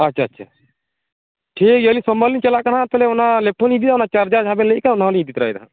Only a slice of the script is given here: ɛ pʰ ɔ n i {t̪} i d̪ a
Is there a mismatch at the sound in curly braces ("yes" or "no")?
yes